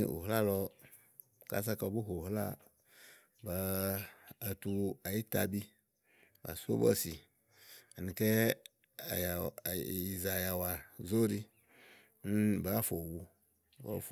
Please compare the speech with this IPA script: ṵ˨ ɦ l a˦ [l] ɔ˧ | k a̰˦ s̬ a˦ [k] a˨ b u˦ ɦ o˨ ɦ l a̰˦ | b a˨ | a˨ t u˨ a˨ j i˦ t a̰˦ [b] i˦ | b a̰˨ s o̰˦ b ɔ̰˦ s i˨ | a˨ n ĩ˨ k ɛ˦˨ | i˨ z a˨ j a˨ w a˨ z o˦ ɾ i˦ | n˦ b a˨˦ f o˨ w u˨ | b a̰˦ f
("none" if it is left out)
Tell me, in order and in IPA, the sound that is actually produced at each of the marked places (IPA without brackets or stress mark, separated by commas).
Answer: l, k, b